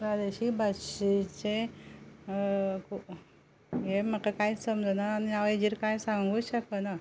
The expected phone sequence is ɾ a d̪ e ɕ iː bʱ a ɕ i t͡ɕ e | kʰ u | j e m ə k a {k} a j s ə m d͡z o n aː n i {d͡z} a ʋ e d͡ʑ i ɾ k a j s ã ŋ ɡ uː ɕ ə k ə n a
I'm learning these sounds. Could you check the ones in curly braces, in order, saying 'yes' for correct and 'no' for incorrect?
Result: yes, no

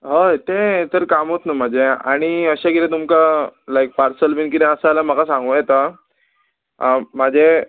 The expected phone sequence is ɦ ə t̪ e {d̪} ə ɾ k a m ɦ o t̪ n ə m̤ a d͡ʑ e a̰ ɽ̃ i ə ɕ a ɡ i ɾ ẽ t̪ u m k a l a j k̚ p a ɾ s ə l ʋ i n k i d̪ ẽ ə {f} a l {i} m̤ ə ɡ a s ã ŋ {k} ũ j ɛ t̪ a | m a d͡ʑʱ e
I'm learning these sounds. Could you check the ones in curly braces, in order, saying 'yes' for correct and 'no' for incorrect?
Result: no, no, no, no

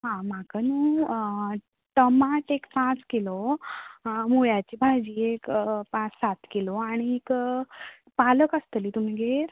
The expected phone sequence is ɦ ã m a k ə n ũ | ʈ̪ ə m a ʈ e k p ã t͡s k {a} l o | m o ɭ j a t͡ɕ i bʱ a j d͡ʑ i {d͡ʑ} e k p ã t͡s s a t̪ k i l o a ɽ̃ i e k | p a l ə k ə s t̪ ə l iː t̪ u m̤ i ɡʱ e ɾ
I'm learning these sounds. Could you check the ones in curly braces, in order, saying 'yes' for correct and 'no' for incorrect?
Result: no, no

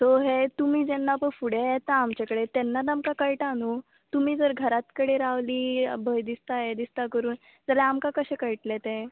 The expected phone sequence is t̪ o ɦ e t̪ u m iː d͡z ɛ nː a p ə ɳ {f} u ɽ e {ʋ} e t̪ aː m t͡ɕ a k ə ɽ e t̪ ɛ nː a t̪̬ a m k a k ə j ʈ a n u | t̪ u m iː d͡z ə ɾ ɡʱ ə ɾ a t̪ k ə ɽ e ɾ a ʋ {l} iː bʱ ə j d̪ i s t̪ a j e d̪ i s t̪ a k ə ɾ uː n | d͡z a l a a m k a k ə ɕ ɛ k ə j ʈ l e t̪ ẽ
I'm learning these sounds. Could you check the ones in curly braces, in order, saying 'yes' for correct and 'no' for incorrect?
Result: yes, no, yes

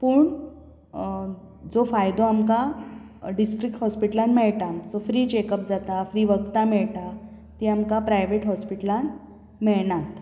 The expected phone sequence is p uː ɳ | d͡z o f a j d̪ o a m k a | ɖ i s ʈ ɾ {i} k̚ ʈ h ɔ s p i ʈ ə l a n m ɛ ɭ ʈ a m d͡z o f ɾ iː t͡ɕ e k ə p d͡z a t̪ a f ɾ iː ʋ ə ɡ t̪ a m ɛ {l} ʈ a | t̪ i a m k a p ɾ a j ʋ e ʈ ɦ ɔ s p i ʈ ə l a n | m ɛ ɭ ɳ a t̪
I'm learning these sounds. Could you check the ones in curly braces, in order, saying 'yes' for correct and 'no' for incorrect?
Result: yes, no

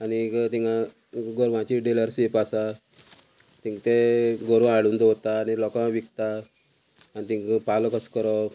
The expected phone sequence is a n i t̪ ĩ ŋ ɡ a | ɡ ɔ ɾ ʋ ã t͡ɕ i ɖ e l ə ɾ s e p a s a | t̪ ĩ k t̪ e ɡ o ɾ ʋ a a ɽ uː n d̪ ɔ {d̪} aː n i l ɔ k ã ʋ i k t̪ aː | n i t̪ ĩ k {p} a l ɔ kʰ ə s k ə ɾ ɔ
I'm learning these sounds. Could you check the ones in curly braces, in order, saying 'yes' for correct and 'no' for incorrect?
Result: no, yes

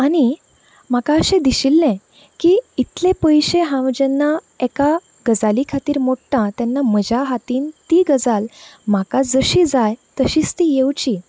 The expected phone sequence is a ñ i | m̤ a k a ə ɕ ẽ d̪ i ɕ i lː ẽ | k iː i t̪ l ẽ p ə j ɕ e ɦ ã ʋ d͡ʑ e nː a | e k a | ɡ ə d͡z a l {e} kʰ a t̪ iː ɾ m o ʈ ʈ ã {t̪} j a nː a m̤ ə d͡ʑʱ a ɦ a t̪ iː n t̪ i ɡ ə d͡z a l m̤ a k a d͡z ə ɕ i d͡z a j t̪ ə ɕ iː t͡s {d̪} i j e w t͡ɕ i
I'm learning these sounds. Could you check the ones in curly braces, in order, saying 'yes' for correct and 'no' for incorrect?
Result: no, yes, no

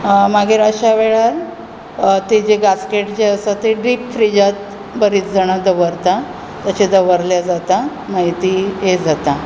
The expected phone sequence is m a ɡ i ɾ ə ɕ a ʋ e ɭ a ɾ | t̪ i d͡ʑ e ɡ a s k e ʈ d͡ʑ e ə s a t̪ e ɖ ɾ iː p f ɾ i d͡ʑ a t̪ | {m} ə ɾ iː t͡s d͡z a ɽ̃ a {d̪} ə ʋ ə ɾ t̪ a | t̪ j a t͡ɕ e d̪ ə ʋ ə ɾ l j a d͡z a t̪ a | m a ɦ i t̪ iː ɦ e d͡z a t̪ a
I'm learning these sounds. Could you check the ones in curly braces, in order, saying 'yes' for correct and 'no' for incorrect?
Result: no, yes

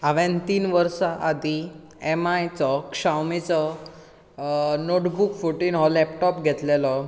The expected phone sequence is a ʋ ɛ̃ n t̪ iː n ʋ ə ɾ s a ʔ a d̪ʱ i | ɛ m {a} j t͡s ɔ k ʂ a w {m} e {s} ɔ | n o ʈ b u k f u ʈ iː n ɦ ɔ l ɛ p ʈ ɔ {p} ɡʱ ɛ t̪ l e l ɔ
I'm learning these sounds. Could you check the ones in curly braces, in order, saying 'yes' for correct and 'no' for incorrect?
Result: yes, yes, no, yes

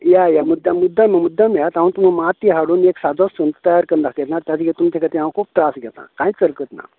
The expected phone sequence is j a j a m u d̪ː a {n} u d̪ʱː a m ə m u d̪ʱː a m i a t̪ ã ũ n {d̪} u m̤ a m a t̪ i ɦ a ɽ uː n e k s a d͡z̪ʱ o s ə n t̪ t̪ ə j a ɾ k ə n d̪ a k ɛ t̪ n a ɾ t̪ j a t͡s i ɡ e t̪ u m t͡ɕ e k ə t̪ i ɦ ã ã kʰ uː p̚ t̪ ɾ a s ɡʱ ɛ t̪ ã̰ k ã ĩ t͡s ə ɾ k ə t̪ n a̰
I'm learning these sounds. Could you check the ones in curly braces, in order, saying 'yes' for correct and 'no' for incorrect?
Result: no, no

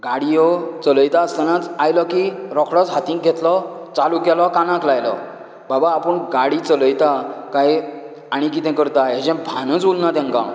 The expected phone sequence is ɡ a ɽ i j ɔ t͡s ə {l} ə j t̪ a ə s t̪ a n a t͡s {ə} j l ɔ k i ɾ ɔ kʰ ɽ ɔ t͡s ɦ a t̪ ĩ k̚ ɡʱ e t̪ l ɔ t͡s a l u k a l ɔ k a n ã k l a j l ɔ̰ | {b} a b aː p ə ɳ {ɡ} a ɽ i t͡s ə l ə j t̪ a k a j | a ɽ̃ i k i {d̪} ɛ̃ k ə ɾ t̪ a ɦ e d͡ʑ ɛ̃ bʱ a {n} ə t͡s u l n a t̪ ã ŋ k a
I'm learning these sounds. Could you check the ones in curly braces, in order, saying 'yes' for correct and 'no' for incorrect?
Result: yes, no, yes, yes, no, yes

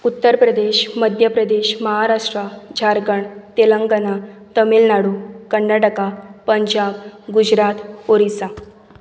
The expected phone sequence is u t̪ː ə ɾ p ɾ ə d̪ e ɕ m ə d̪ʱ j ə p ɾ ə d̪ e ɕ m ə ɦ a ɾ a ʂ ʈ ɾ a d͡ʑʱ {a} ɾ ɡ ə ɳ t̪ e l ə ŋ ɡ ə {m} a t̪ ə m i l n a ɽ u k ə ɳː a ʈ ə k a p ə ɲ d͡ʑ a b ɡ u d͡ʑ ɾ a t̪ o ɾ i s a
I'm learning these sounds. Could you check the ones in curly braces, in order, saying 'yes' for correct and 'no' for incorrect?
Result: yes, no

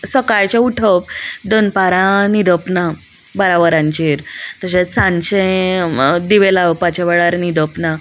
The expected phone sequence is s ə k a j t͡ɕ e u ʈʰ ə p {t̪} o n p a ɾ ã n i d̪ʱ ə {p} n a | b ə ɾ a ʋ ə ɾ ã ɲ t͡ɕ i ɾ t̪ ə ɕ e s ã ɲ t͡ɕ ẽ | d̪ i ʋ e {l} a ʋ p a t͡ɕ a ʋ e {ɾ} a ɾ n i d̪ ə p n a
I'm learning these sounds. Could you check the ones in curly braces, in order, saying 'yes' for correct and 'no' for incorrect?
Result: no, yes, yes, no

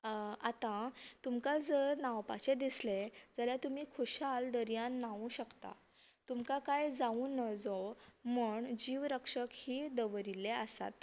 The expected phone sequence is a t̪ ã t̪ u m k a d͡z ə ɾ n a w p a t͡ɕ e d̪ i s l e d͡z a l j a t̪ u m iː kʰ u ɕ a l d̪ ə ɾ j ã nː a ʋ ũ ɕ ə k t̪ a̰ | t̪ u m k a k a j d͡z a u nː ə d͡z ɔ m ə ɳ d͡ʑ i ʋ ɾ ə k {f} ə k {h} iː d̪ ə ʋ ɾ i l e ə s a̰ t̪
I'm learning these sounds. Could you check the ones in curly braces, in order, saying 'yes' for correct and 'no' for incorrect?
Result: no, yes

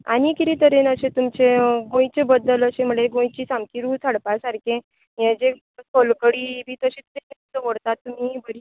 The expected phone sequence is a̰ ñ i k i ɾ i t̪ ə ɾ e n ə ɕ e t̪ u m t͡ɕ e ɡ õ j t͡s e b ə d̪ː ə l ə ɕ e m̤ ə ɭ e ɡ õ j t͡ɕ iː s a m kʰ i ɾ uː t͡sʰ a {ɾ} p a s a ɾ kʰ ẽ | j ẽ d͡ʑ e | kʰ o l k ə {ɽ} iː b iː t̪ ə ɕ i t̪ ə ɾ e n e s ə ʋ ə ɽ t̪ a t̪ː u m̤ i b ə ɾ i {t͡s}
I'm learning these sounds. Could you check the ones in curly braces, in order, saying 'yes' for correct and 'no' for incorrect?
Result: no, yes, no

